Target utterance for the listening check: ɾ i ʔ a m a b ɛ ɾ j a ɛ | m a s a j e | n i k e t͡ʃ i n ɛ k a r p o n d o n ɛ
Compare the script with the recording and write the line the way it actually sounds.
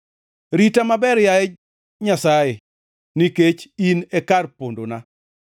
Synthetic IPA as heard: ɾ i t a m a b ɛ ɾ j a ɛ | ɲ a s a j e | n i k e t͡ʃ i n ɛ k a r p o n d o n a